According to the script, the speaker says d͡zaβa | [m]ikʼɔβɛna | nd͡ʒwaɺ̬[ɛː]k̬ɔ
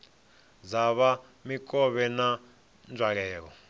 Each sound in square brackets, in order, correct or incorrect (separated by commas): correct, correct